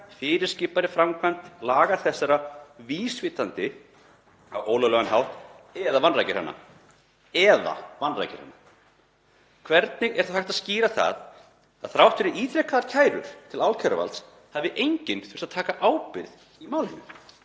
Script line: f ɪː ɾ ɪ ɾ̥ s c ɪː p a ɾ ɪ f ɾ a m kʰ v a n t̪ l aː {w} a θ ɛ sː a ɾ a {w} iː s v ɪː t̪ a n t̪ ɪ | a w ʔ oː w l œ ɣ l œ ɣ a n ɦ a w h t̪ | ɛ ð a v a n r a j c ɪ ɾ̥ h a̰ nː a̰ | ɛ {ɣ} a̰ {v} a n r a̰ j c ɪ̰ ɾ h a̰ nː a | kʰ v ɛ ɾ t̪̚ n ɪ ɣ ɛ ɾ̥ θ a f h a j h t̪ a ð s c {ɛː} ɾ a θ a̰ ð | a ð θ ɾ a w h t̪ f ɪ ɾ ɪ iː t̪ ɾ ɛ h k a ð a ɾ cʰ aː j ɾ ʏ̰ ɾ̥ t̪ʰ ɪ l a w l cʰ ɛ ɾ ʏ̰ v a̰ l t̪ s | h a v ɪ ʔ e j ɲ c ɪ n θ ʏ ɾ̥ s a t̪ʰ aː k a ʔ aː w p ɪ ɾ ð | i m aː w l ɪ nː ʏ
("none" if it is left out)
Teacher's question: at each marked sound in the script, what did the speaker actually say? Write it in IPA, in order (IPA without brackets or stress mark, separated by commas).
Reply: ɣ, v, ð, v, iː